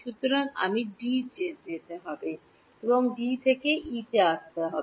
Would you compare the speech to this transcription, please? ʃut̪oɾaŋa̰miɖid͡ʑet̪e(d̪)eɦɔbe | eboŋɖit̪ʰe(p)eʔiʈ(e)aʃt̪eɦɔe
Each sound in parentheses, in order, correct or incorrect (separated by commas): incorrect, incorrect, correct